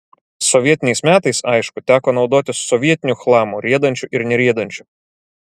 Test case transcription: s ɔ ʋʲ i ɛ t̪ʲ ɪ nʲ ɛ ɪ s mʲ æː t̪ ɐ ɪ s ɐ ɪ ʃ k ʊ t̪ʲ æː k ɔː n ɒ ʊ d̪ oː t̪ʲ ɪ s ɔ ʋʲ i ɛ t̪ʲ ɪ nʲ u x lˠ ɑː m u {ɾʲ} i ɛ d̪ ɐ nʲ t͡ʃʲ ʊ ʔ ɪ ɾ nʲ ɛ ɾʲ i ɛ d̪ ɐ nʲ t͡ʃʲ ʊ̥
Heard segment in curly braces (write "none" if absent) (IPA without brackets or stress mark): ɾʲ